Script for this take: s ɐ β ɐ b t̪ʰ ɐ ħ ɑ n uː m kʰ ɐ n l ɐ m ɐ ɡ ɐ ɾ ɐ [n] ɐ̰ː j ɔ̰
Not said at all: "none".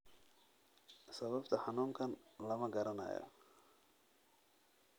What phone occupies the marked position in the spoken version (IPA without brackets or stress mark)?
n